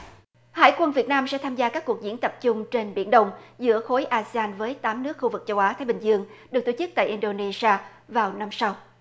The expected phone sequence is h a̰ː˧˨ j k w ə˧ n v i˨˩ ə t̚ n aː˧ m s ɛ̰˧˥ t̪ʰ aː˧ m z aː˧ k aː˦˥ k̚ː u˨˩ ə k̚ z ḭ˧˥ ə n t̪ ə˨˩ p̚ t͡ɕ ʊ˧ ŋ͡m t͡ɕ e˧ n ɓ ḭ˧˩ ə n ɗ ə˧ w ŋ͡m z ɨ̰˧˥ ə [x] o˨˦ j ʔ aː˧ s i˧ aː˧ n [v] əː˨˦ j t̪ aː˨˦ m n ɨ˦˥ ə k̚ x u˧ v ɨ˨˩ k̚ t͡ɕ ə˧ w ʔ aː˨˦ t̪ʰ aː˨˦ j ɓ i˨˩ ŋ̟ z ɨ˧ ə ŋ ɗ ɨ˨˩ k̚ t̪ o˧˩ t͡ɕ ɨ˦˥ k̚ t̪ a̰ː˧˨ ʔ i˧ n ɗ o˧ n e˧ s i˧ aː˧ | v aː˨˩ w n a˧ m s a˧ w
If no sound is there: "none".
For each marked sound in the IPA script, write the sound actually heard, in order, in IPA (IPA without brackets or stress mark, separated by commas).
x, v